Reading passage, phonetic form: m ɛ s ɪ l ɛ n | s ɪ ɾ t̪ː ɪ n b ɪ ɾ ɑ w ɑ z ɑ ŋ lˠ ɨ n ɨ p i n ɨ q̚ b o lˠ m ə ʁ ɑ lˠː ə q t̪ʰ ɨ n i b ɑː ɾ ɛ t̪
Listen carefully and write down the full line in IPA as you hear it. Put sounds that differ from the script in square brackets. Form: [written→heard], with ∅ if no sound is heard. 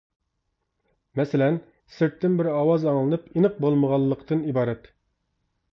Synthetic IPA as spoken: m ɛ s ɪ l ɛ n | s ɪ ɾ t̪ː ɪ n b ɪ ɾ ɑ w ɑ z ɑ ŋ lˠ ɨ n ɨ p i n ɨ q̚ b o lˠ m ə ʁ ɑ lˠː ə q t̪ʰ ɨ n i b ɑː ɾ ɛ t̪

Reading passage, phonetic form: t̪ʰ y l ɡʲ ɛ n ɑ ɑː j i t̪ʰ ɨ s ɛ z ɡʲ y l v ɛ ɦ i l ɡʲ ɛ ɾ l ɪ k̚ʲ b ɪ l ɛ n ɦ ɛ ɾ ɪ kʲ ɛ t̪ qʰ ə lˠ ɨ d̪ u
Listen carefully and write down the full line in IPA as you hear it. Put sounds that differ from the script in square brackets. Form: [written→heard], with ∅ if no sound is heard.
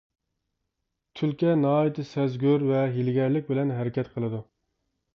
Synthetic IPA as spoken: t̪ʰ y l [ɡʲ→kʲ] ɛ n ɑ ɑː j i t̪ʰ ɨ s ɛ z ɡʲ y [l→ɾ] v ɛ ɦ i l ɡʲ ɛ ɾ l ɪ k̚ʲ b ɪ l ɛ n ɦ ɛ ɾ ɪ kʲ ɛ t̪ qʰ ə lˠ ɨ d̪ u

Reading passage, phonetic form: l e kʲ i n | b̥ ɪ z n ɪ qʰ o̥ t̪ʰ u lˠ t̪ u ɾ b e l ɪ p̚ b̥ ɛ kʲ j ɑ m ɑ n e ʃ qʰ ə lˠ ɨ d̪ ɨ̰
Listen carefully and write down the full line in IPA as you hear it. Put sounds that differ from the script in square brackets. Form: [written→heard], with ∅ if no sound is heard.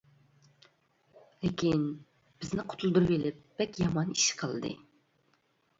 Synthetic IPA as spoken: l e kʲ i n | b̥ ɪ z n ɪ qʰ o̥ t̪ʰ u lˠ [t̪→d̪] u ɾ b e l ɪ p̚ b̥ ɛ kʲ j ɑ m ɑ n [e→i] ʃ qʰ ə lˠ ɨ d̪ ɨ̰

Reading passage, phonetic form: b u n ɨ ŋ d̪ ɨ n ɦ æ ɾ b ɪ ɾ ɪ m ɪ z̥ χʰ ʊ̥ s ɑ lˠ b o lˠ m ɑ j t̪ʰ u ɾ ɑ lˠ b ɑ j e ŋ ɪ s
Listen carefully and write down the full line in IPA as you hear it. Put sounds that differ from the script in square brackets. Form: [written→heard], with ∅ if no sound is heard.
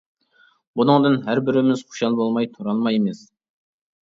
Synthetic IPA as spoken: b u n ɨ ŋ d̪ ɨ n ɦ æ ɾ b ɪ ɾ ɪ m ɪ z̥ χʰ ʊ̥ [s→ʃ] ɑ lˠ b o lˠ m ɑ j t̪ʰ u ɾ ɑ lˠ [b→m] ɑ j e [ŋ→m] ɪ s

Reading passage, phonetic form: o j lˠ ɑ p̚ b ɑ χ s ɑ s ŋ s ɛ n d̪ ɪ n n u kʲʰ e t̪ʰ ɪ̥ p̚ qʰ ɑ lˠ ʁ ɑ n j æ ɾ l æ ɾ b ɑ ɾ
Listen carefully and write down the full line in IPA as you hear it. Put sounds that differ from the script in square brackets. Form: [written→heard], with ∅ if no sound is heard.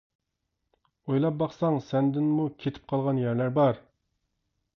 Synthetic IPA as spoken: o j lˠ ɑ p̚ b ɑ χ s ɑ [s→∅] ŋ s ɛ n d̪ ɪ n [n→m] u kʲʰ e t̪ʰ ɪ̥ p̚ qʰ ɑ lˠ ʁ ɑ n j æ ɾ l æ ɾ b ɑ ɾ

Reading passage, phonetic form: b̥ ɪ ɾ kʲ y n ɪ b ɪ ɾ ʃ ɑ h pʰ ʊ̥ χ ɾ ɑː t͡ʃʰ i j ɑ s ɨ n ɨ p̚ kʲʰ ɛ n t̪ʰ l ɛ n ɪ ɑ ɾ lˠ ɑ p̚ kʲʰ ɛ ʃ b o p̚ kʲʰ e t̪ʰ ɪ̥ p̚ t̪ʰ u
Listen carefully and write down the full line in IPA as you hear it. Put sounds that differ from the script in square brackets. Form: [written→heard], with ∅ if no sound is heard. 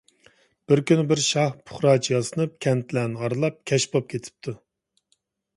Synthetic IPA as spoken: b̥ ɪ ɾ kʲ y n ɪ b ɪ ɾ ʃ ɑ h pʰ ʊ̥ χ ɾ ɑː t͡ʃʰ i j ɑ s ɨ n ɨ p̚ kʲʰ ɛ n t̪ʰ l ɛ n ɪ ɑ ɾ lˠ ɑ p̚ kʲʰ ɛ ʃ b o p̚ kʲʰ e t̪ʰ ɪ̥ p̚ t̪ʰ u

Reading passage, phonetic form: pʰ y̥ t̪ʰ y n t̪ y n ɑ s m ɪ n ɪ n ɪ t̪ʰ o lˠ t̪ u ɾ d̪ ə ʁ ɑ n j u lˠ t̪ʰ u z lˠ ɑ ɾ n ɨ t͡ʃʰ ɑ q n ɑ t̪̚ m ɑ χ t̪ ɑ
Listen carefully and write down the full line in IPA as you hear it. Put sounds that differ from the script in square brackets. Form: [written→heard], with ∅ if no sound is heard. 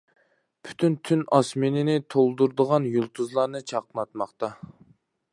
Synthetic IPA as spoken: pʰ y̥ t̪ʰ y n [t̪→t̪ʰ] y n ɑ s m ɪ n ɪ n ɪ t̪ʰ o lˠ [t̪→d̪] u ɾ d̪ ə ʁ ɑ n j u lˠ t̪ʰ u z lˠ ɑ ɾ n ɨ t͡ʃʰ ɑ q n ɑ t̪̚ m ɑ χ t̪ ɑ

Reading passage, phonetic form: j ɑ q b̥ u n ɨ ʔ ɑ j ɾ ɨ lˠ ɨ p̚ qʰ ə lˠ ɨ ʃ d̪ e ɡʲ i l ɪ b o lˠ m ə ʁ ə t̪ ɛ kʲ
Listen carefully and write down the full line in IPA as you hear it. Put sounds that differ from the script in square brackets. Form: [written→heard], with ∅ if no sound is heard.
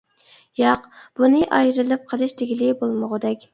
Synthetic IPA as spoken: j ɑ q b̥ u n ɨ ʔ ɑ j ɾ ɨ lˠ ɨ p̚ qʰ ə lˠ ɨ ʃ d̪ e ɡʲ i l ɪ b o lˠ m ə ʁ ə [t̪→d̪] ɛ kʲ

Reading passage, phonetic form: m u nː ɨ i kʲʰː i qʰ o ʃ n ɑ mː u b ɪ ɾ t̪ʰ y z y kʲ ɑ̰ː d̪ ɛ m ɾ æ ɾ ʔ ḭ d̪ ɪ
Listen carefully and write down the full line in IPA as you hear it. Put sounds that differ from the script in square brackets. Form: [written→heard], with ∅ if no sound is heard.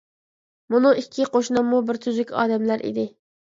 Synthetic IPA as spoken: m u [nː→n] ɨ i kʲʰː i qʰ o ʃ n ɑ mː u b ɪ ɾ t̪ʰ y z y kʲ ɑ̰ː d̪ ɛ m [ɾ→l] æ ɾ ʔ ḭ d̪ ɪ

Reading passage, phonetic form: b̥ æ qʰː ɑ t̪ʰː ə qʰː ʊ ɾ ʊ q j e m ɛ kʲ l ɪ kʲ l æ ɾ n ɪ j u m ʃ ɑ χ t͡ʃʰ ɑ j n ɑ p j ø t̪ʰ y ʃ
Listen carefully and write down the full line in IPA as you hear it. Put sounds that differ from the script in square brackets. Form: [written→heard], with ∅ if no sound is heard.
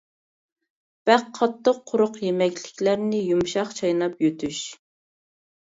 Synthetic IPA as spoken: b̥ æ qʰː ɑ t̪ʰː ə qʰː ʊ ɾ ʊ q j e m ɛ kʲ l ɪ kʲ l æ ɾ n ɪ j u m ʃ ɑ χ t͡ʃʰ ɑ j n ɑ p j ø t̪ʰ y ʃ

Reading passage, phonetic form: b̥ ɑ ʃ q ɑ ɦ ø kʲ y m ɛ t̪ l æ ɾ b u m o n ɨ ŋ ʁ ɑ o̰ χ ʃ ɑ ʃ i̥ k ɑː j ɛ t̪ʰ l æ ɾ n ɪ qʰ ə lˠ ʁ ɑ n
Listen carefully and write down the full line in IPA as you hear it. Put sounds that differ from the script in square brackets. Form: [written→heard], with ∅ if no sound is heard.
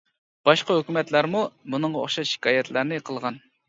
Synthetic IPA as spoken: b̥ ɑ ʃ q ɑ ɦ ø kʲ y m ɛ t̪ l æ ɾ [b→m] u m [o→u] n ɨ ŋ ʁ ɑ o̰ χ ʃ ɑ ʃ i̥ k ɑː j ɛ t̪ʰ l æ ɾ n ɪ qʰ ə lˠ ʁ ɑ n

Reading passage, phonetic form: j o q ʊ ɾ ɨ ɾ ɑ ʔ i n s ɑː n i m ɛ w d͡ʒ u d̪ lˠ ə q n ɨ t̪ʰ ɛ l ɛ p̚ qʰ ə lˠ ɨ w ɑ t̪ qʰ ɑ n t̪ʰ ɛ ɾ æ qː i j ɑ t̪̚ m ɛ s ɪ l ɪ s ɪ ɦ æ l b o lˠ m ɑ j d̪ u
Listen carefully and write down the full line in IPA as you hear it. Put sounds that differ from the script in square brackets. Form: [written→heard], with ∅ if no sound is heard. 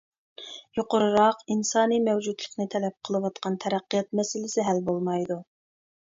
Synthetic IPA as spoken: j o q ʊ ɾ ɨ ɾ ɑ [ʔ→q] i n s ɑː n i m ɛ w d͡ʒ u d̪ lˠ ə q n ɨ t̪ʰ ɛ l ɛ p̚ qʰ ə lˠ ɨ w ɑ t̪ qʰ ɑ n t̪ʰ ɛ ɾ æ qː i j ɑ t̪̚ m ɛ s ɪ l ɪ s ɪ ɦ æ l b o lˠ m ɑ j d̪ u

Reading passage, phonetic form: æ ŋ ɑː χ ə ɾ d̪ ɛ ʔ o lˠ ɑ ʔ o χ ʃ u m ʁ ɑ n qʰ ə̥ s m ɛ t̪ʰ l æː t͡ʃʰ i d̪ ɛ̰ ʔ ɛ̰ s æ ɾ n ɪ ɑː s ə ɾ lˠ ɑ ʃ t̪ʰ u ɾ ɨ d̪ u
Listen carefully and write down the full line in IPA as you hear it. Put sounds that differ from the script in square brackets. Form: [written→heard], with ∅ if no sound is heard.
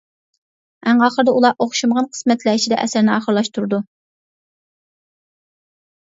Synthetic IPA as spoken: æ ŋ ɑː χ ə ɾ d̪ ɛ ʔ [o→u] lˠ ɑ ʔ o χ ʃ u m ʁ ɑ n qʰ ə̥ s m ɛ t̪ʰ l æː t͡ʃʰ i d̪ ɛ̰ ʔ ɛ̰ s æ ɾ n ɪ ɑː [s→χ] ə ɾ lˠ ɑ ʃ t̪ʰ u ɾ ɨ d̪ u

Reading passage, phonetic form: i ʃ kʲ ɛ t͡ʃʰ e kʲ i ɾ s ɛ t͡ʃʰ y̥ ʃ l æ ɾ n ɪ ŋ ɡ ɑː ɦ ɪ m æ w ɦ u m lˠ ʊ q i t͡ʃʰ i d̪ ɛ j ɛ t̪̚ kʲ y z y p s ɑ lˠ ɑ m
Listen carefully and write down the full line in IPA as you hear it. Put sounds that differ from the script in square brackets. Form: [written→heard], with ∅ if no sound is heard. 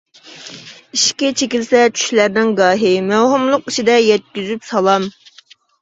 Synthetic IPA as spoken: i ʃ kʲ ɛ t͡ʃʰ e kʲ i [ɾ→l] s ɛ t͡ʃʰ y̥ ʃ l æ ɾ n ɪ ŋ ɡ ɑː ɦ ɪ m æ w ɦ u m lˠ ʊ q i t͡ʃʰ i d̪ ɛ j ɛ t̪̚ kʲ y z y p s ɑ lˠ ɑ m

